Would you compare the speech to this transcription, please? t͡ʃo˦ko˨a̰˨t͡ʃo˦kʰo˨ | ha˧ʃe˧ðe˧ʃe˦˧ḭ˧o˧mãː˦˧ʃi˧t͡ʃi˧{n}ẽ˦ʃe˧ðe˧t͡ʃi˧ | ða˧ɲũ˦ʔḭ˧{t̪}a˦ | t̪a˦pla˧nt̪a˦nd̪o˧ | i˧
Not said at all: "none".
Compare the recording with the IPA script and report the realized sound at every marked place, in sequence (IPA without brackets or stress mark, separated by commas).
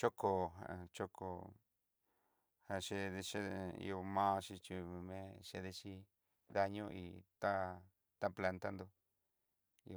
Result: m, t̪